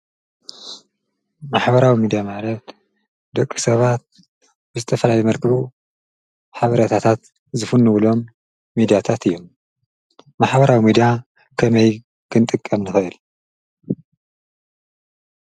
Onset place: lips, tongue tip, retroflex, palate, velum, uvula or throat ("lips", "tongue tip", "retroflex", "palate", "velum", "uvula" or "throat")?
lips